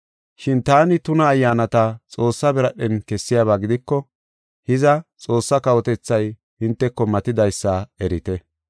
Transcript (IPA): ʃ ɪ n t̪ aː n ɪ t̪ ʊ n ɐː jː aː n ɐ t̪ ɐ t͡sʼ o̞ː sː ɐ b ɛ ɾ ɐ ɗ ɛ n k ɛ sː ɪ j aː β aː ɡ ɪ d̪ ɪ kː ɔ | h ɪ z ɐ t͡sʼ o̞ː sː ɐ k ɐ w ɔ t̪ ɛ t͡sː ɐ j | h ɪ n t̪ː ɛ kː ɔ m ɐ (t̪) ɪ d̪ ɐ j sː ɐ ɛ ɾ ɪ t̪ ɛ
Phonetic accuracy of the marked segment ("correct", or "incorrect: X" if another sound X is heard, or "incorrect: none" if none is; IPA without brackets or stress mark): correct